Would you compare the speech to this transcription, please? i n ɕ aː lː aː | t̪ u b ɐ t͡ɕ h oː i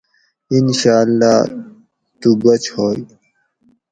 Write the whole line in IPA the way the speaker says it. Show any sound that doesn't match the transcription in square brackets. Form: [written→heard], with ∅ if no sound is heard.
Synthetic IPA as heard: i n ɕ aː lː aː | t̪ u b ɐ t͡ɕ h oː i

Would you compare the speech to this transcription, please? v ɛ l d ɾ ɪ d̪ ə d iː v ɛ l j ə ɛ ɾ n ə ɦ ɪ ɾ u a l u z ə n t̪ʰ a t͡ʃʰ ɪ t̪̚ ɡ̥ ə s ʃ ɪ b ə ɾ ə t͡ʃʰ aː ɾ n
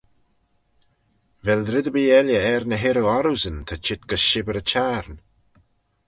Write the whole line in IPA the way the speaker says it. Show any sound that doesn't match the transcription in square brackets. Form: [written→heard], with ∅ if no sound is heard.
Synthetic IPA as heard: v ɛ l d ɾ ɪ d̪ ə [d→b] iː [v→∅] ɛ l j ə ɛ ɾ n ə ɦ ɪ ɾ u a [l→ɾ] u z ə n t̪ʰ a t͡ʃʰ ɪ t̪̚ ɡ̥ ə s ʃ ɪ b ə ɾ ə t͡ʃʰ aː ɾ n

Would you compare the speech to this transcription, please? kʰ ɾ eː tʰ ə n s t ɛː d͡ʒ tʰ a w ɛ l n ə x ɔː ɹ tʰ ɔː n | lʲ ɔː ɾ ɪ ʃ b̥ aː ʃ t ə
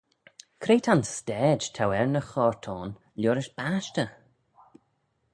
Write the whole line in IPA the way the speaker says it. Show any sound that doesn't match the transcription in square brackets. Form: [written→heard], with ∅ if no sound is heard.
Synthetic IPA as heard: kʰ ɾ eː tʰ [ə→a] n s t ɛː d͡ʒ tʰ a w ɛ [l→ɹ] n ə x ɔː ɹ tʰ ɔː n | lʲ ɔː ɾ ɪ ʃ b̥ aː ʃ t ə

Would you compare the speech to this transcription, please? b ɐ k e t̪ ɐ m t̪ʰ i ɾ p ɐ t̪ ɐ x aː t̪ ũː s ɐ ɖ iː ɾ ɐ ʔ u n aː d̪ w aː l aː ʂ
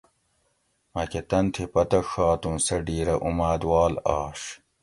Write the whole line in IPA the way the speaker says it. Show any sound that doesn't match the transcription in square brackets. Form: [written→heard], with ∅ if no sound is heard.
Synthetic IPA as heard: [b→m] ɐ k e t̪ ɐ [m→n] t̪ʰ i [ɾ→∅] p ɐ t̪ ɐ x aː t̪ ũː s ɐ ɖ iː ɾ ɐ ʔ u [n→m] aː d̪ w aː l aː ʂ

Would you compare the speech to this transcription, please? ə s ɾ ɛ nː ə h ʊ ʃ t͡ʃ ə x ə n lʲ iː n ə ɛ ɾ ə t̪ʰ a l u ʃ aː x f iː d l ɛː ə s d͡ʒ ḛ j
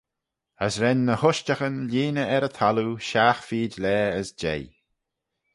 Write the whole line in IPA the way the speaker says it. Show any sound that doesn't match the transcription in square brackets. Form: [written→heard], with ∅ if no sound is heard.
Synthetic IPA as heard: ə s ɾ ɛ nː ə h ʊ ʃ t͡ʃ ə x ə n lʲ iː n ə ɛ ɾ ə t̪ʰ a l u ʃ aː x f iː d l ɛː ə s d͡ʒ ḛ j

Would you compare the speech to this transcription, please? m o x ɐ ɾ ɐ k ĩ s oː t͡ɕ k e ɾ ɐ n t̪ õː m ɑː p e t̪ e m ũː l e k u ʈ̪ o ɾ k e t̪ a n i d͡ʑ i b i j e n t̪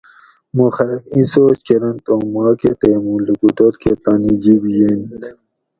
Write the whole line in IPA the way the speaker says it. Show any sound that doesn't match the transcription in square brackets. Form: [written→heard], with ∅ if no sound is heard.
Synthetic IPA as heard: m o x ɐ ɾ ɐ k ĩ s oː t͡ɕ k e ɾ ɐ n t̪ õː m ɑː [p→k] e t̪ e m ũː l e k u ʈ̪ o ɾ k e t̪ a n i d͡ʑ i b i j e n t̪

